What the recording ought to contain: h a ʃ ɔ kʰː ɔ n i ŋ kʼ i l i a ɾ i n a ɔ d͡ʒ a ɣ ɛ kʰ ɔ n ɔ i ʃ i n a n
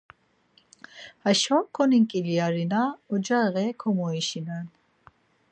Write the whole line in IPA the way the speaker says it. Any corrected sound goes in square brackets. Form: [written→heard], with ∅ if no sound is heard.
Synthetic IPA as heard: h a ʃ ɔ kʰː ɔ n i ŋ kʼ i l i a ɾ i n a ɔ d͡ʒ a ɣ ɛ kʰ ɔ [n→m] ɔ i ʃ i n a n